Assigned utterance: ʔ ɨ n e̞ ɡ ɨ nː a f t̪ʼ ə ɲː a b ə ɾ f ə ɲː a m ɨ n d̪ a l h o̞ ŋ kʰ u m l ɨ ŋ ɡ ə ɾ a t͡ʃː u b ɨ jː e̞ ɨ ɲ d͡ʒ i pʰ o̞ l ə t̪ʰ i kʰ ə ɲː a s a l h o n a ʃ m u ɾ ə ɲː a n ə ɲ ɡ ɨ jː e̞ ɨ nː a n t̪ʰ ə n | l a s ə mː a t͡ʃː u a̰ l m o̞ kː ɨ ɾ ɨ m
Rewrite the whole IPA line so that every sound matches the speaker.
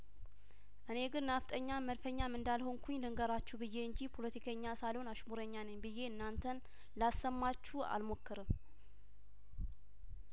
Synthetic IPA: ʔ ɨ n e̞ ɡ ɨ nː a f t̪ʼ ə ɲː a m ə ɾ f ə ɲː a m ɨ n d̪ a l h o̞ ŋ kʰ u ɲ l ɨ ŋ ɡ ə ɾ a t͡ʃː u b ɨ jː e̞ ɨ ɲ d͡ʒ i pʰ o̞ l ə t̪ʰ i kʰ ə ɲː a s a l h o n a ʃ m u ɾ ə ɲː a n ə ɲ b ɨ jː e̞ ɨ nː a n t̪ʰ ə n | l a s ə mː a t͡ʃː u a̰ l m o̞ kː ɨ ɾ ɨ m